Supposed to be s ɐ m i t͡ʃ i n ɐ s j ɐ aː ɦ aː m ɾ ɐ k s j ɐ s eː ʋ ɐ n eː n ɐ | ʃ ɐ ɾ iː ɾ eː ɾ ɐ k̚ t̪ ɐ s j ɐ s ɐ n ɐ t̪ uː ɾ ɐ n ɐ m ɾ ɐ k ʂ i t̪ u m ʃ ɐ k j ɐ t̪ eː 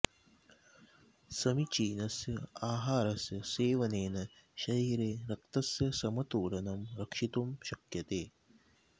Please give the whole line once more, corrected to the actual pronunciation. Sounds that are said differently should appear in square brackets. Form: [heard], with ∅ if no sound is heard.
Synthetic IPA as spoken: s ɐ m i t͡ʃ [iː] n ɐ s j ɐ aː ɦ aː [∅] ɾ ɐ [∅] s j ɐ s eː ʋ ɐ n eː n ɐ | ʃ ɐ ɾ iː ɾ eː ɾ ɐ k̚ t̪ ɐ s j ɐ s ɐ [m] ɐ t̪ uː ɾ ɐ n ɐ m ɾ ɐ k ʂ i t̪ u m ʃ ɐ k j ɐ t̪ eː